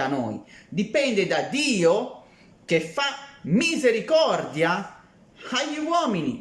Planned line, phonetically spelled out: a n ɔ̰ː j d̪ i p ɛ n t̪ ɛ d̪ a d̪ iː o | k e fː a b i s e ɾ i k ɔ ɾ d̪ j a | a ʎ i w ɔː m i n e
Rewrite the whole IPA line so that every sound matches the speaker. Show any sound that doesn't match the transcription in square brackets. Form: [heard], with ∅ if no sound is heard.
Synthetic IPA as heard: a n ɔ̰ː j d̪ i p ɛ n [d̪] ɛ d̪ a d̪ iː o | k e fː a [m] i [z] e ɾ i k ɔ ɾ d̪ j a | a ʎ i w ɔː m i n [i]